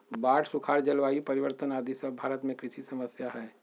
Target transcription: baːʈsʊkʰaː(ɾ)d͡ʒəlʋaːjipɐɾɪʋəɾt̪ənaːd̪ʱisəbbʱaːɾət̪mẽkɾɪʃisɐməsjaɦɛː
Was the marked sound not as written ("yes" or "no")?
no